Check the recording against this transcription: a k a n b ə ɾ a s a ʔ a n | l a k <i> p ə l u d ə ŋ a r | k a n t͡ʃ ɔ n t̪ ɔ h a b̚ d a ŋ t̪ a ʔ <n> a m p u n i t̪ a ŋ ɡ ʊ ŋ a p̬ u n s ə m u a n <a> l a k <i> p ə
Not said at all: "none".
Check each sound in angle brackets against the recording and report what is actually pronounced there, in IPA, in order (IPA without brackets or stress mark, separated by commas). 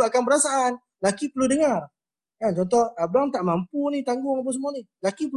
i, m, i, i